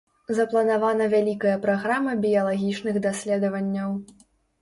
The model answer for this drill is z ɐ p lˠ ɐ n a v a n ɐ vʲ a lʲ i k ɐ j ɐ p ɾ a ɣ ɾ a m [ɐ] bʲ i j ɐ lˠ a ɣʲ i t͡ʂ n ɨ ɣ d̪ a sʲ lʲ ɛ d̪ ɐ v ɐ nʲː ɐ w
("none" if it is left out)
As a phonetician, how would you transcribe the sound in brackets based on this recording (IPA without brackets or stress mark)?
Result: ɐ